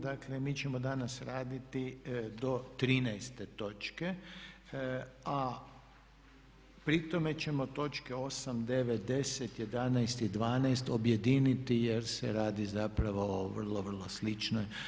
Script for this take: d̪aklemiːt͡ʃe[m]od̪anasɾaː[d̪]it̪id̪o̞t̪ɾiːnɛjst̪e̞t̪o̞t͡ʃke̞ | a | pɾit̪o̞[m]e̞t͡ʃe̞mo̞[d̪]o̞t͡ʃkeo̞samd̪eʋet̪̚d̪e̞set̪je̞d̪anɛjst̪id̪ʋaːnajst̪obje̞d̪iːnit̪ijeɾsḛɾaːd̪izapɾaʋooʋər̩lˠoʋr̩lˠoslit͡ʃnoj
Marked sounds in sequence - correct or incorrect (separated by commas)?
correct, correct, correct, incorrect